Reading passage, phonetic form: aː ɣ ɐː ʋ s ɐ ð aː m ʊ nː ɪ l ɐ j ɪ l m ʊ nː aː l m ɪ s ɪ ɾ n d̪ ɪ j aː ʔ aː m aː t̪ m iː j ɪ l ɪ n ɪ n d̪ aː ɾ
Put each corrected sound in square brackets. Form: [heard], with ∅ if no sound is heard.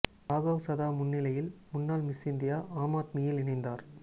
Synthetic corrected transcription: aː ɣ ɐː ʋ s ɐ ð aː m ʊ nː ɪ l ɐ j ɪ l m ʊ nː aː l m ɪ s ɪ [∅] n d̪ ɪ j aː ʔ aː m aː t̪ m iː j ɪ l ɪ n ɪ n d̪ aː ɾ